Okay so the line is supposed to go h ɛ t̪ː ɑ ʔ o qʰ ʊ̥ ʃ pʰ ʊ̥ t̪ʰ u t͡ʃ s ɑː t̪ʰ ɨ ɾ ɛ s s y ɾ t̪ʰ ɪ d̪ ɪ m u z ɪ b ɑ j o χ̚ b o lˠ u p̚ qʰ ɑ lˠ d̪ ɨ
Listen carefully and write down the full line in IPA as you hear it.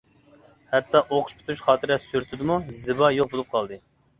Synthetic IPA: h ɛ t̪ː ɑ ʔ o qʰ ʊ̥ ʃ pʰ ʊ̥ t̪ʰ u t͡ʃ χ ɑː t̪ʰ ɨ ɾ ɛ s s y ɾ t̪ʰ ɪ d̪ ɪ m u z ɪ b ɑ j o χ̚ b o lˠ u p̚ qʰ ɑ lˠ d̪ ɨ